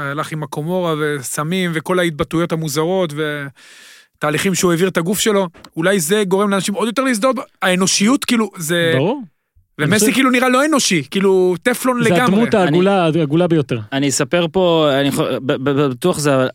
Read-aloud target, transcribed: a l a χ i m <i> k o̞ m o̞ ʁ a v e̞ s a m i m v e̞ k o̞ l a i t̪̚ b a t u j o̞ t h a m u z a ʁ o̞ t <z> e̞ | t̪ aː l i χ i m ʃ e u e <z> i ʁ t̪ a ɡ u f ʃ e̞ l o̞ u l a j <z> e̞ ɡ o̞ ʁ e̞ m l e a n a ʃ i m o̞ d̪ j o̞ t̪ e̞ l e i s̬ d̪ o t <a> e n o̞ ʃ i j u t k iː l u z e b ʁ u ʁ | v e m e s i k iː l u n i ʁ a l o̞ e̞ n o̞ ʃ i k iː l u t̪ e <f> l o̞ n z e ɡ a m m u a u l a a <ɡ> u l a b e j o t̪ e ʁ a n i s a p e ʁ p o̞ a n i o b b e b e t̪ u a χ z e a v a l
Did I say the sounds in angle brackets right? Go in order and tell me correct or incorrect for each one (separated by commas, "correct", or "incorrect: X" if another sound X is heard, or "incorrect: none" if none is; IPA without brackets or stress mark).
incorrect: a, incorrect: v, incorrect: v, correct, correct, correct, correct